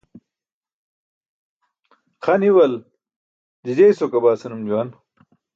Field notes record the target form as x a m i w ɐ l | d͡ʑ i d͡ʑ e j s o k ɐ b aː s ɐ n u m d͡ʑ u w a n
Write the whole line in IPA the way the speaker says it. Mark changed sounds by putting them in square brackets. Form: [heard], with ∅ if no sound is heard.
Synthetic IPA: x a [n] i w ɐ l | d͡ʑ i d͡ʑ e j s o k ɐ b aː s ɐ n u m d͡ʑ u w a n